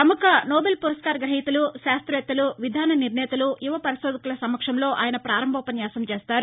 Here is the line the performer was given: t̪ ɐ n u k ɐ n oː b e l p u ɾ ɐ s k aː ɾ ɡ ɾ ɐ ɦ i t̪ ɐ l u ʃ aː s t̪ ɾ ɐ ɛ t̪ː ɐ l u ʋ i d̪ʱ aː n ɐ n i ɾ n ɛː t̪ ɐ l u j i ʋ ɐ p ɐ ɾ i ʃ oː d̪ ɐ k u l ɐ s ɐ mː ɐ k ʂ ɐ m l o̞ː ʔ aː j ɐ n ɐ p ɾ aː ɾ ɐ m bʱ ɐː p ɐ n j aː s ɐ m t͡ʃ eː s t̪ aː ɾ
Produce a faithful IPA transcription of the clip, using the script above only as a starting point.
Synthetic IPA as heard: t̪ ɐ m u k ɐ n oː b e l p u ɾ ɐ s k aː ɾ ɡ ɾ ɐ ɦ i t̪ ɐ l u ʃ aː s t̪ ɾ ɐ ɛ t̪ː ɐ l u ʋ i d̪ʱ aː n ɐ n i ɾ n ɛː t̪ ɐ l u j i ʋ ɐ p ɐ ɾ i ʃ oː d̪ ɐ k u l ɐ s ɐ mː ɐ k ʂ ɐ m l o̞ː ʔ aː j ɐ n ɐ p ɾ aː ɾ ɐ m bʱ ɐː p ɐ n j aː s ɐ m t͡ʃ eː s t̪ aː ɾ